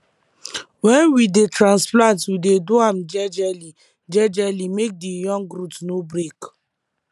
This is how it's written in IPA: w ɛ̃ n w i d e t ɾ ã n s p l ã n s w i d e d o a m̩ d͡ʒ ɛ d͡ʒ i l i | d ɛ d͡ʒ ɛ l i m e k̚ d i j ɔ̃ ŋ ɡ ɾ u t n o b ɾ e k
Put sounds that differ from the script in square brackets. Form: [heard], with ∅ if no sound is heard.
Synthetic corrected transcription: w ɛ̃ n w i d e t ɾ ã n s p l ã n [t] w i d e d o a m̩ d͡ʒ ɛ d͡ʒ [ɛ] l i | [d͡ʒ] ɛ d͡ʒ ɛ l i m e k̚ d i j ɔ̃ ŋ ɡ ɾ u t n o b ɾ e k